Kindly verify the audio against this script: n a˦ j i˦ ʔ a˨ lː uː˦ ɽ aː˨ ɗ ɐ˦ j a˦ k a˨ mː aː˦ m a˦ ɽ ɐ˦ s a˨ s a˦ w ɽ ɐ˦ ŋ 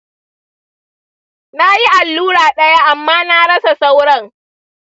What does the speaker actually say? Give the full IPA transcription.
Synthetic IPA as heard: n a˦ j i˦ ʔ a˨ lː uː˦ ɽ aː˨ ɗ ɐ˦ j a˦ ʔ a˨ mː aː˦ n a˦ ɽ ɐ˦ s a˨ s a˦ w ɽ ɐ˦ ŋ